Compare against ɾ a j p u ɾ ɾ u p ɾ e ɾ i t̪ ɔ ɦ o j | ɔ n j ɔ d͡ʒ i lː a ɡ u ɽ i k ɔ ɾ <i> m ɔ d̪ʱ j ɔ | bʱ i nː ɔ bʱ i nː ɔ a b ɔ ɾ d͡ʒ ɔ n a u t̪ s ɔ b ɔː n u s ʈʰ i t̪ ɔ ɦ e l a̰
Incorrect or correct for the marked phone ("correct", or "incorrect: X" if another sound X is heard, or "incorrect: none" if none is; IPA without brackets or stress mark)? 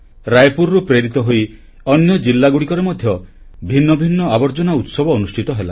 incorrect: e